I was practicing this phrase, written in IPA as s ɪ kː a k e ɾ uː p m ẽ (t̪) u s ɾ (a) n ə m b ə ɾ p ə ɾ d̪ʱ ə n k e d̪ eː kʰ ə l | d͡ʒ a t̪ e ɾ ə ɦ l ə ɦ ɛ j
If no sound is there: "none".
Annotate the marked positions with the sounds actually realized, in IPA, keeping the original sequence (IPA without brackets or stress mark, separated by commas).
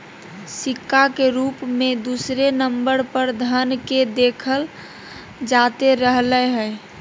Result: d̪, e